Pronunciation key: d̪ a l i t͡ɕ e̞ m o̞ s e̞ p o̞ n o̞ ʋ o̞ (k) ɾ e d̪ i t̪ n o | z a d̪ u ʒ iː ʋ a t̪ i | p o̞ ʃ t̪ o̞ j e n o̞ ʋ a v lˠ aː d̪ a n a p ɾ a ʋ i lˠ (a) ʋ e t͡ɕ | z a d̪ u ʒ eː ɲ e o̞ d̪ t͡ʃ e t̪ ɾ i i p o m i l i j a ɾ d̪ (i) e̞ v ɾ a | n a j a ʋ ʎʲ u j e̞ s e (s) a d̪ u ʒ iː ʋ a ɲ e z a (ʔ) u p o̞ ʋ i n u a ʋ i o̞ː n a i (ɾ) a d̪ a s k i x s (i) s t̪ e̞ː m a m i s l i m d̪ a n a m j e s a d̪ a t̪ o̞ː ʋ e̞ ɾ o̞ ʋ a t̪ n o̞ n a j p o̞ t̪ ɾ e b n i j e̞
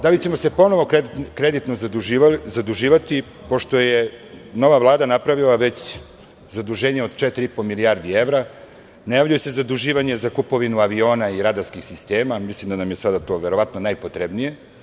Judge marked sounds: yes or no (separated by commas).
yes, yes, yes, no, no, yes, yes